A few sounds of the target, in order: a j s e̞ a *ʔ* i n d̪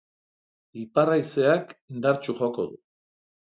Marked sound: incorrect: k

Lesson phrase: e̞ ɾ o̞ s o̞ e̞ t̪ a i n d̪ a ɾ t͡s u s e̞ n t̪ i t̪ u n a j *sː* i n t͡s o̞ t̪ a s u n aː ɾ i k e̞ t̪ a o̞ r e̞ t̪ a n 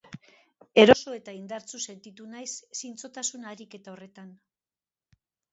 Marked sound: correct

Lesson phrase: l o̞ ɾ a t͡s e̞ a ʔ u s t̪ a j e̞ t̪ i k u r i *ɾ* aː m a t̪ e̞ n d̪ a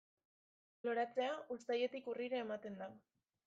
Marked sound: correct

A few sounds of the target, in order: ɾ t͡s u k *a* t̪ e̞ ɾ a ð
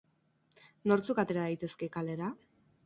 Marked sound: correct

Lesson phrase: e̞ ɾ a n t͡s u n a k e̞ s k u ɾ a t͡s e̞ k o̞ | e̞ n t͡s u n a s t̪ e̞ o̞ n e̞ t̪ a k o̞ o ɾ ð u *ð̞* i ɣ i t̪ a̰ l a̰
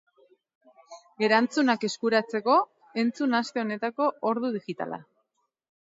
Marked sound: correct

